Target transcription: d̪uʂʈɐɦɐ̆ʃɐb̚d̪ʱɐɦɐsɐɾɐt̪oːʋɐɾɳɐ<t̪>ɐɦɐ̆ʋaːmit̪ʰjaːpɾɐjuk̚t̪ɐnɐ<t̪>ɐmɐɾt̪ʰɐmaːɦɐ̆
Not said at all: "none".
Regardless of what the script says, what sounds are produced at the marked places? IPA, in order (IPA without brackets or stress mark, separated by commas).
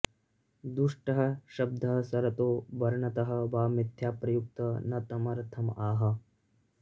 t̪, t̪